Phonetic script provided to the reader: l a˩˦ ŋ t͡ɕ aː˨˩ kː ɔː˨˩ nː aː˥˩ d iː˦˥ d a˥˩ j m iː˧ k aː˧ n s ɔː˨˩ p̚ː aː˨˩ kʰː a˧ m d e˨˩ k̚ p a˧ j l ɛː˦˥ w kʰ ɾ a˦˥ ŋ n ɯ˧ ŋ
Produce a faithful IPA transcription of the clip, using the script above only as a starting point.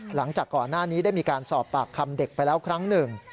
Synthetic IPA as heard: l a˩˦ ŋ t͡ɕ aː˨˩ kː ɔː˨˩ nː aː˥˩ n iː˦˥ d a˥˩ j m iː˧ k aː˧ n s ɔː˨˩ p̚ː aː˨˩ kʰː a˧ m d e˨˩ k̚ p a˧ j l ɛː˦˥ w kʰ ɾ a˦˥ ŋ n ɯ˨˩ ŋ